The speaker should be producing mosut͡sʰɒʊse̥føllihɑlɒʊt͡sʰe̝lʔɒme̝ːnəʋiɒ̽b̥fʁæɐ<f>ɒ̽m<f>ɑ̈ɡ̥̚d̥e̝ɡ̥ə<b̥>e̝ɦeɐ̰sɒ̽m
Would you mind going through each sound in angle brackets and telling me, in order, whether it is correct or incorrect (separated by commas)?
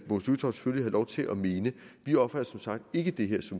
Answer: incorrect, incorrect, incorrect